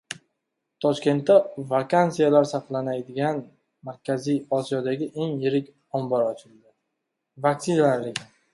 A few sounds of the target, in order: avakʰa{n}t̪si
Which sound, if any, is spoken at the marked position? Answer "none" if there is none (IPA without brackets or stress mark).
n